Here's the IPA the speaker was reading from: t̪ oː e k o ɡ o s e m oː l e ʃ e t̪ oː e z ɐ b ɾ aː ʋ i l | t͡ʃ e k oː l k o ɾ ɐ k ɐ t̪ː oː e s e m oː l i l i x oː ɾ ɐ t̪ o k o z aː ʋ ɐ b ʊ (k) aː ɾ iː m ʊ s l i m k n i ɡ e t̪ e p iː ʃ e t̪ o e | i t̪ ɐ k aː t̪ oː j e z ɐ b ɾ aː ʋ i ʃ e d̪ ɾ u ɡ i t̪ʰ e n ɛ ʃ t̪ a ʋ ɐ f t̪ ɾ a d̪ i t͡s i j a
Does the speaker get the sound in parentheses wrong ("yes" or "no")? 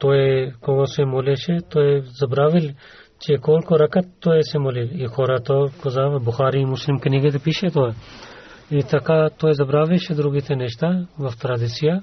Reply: yes